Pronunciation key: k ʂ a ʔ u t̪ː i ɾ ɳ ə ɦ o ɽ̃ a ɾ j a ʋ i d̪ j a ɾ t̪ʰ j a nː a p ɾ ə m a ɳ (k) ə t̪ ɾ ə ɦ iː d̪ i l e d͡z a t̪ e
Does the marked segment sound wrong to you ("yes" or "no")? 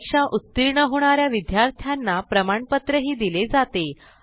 yes